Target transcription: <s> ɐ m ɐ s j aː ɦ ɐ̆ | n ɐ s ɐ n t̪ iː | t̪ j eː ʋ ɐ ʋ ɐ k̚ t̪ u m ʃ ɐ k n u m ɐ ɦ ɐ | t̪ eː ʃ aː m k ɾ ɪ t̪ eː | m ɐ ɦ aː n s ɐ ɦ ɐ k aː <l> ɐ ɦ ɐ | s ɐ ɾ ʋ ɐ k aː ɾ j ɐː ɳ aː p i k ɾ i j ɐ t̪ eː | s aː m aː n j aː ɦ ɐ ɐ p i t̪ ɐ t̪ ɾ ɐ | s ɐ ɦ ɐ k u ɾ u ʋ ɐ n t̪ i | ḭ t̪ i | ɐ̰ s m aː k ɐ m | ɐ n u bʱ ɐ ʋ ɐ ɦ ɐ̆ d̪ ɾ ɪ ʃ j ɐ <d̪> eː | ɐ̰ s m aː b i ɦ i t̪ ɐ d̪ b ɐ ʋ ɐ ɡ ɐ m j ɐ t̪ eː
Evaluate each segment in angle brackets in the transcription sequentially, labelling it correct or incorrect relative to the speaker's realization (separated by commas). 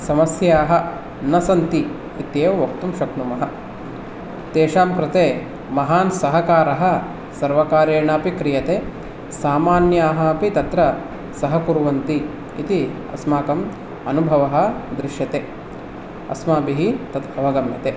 correct, incorrect, incorrect